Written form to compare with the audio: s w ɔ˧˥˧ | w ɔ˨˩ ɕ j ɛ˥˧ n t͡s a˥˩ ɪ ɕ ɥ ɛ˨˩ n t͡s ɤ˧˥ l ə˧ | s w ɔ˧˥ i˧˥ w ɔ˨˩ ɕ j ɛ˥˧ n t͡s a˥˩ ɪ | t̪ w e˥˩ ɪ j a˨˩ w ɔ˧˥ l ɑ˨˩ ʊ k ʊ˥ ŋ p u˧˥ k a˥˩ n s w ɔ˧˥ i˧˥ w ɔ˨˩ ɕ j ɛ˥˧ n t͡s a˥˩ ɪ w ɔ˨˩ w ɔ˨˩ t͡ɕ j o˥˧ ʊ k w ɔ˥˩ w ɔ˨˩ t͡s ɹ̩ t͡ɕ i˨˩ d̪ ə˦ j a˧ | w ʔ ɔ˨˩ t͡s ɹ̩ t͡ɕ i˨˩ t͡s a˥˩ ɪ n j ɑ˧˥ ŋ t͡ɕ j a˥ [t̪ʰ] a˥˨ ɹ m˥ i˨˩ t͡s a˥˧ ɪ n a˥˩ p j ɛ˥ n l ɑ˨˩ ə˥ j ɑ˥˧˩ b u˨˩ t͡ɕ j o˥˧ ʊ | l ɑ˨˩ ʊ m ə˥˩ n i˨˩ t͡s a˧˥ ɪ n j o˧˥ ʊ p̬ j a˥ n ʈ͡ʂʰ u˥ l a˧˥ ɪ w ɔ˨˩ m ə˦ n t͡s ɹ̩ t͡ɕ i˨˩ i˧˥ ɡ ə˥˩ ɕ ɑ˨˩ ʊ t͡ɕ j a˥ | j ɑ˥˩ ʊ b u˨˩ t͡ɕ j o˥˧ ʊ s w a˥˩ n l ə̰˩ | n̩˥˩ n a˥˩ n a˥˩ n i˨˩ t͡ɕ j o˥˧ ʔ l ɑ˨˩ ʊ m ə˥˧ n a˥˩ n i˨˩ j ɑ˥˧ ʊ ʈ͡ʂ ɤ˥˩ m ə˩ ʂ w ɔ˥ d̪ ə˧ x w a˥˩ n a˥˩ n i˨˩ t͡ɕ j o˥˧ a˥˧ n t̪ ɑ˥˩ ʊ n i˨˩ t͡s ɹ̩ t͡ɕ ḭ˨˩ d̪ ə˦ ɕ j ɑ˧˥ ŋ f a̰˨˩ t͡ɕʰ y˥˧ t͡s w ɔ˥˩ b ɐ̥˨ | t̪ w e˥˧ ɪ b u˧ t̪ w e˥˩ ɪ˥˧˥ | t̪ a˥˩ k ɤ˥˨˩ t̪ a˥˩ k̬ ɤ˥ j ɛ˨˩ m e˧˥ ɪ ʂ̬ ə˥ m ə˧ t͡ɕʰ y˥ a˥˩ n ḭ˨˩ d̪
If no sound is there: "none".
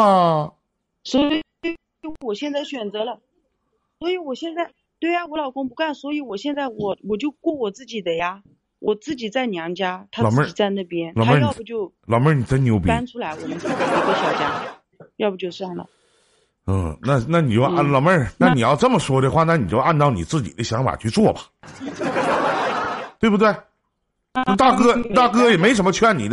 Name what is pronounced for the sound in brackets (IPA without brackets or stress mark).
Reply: t̪ʰ